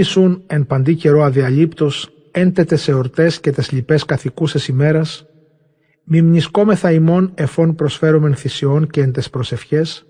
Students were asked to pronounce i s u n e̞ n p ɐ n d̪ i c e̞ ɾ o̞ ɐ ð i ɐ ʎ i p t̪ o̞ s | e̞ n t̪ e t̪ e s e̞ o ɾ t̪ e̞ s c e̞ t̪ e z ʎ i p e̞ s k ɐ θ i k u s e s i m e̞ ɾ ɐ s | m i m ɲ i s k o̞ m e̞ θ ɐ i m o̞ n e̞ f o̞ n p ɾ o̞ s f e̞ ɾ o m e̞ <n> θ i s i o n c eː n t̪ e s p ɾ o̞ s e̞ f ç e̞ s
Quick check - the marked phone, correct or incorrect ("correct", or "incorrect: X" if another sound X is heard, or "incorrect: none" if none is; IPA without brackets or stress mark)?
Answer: correct